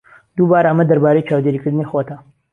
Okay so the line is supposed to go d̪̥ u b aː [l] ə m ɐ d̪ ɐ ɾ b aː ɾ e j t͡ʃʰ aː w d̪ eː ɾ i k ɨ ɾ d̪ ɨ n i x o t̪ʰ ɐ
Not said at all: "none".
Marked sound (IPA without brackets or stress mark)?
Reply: ɾ